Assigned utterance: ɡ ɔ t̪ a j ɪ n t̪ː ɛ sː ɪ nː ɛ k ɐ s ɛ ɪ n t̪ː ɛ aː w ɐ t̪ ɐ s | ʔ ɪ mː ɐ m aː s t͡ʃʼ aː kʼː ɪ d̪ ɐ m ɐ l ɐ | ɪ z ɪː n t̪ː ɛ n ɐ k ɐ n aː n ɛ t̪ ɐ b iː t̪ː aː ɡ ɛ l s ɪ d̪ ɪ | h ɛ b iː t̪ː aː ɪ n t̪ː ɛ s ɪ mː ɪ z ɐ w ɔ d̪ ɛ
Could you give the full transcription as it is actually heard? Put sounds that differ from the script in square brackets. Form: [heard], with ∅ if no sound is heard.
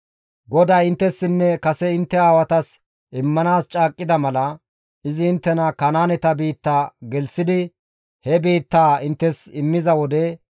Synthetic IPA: ɡ ɔ [d̪] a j ɪ n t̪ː ɛ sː ɪ nː ɛ k ɐ s ɛ ɪ n t̪ː ɛ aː w ɐ t̪ ɐ s | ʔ ɪ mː ɐ [n] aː s t͡ʃʼ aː kʼː ɪ d̪ ɐ m ɐ l ɐ | ɪ z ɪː n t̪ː ɛ n ɐ k ɐ n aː n ɛ t̪ ɐ b iː t̪ː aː ɡ ɛ l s ɪ d̪ ɪ | h ɛ b iː t̪ː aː ɪ n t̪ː ɛ s ɪ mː ɪ z ɐ w ɔ d̪ ɛ